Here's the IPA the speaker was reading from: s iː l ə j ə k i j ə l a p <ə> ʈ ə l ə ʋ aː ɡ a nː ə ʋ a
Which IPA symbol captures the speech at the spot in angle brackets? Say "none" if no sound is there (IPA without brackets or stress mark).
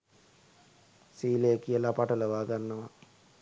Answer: a